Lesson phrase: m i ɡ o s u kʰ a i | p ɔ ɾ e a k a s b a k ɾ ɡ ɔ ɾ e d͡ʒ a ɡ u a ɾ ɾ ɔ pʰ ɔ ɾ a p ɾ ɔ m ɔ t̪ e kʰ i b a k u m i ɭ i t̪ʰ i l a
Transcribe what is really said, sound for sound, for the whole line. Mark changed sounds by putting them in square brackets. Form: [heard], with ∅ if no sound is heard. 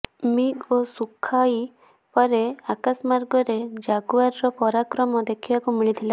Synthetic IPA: m i ɡ o s u kʰ a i | p ɔ ɾ e a k a s [m] a [∅] ɾ ɡ ɔ ɾ e d͡ʒ a ɡ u a ɾ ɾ ɔ [p] ɔ ɾ a [k] ɾ ɔ m ɔ [d̪] e kʰ i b a k u m i ɭ i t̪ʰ i l a